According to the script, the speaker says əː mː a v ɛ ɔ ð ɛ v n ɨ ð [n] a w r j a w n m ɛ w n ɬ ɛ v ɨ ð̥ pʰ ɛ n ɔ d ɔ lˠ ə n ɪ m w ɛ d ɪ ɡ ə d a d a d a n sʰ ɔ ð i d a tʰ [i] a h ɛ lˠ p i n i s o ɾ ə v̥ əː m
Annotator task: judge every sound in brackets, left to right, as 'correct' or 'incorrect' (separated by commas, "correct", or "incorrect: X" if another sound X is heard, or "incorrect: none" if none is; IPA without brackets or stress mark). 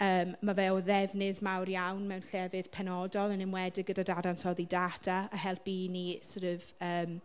incorrect: m, incorrect: a